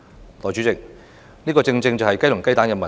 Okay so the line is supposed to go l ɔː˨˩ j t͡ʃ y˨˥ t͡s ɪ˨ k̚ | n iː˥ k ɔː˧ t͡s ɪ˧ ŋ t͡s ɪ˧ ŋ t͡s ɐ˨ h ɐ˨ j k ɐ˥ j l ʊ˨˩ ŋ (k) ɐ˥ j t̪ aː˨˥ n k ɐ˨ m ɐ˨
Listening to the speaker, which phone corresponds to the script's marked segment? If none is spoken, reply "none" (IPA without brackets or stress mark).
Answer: k